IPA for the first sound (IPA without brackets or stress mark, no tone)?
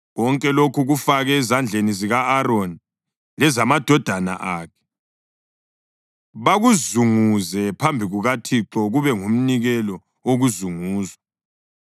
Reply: ɣ